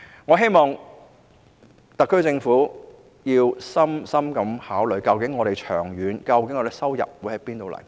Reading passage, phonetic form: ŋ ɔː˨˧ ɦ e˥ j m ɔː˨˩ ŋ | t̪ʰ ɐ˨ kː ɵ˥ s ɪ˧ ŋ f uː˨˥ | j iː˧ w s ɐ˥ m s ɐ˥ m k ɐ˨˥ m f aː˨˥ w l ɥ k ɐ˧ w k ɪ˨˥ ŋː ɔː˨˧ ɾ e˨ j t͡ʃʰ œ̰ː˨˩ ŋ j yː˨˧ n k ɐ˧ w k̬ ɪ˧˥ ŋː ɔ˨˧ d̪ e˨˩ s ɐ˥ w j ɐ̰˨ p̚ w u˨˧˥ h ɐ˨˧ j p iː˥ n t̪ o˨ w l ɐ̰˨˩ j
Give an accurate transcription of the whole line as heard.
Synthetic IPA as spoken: ŋ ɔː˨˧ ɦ e˥ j m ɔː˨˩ ŋ | t̪ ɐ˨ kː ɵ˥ t͡s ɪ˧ ŋ f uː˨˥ | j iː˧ w s ɐ˥ m s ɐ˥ m k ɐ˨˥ m h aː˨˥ w l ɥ k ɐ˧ w k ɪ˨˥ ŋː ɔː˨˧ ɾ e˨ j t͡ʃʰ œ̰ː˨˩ ŋ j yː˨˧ n k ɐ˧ w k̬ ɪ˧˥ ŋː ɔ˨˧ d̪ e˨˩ s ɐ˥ w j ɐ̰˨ p̚ w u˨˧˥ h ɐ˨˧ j p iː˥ n t̪ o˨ w l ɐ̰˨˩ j